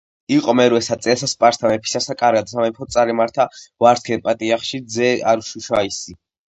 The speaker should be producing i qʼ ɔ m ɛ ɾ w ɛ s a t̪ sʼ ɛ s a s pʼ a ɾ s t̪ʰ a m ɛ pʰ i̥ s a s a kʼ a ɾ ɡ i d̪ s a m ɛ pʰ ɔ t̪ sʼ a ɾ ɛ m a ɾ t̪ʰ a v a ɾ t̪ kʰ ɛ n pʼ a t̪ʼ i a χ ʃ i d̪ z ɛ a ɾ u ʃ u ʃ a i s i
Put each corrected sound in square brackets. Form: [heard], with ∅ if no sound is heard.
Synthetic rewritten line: i qʼ ɔ m ɛ ɾ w ɛ s a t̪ sʼ ɛ s a s pʼ a ɾ s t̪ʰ a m ɛ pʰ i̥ s a s a kʼ a ɾ ɡ [a] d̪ s a m ɛ pʰ ɔ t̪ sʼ a ɾ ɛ m a ɾ t̪ʰ a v a ɾ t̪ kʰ ɛ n pʼ a t̪ʼ i a χ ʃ i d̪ z ɛ a ɾ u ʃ u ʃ a i s i